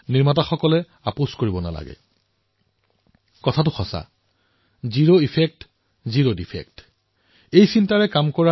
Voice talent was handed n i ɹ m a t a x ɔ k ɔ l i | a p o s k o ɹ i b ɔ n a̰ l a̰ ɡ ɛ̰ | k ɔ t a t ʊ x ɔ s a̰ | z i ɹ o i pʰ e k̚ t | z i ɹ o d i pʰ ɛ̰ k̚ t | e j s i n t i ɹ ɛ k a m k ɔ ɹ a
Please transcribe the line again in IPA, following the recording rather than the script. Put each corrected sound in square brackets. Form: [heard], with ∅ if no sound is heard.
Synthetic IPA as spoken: n i ɹ m a t a x ɔ k ɔ l [ɛ] | a p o s k o ɹ i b ɔ n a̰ l a̰ ɡ ɛ̰ | k ɔ [tʰ] a t ʊ x ɔ s a̰ | z i ɹ o i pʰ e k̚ t | z i ɹ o d i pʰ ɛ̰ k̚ t | e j s i n t [a] ɹ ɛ k a m k ɔ ɹ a